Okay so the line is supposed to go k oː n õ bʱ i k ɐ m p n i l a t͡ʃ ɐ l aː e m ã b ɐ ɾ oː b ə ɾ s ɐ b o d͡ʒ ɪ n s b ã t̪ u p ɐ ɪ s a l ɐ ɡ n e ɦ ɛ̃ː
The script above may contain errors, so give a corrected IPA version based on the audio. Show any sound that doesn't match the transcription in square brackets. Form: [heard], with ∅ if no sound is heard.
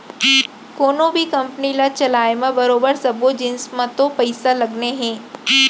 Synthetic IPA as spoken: k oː n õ bʱ i k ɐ m p n i l a t͡ʃ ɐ l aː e m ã b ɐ ɾ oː b ə ɾ s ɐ b o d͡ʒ ɪ n s [m] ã t̪ [o] p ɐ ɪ s a l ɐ ɡ n e ɦ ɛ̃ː